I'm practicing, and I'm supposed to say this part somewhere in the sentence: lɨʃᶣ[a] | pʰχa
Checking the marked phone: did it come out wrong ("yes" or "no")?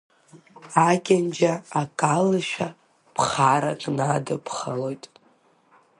no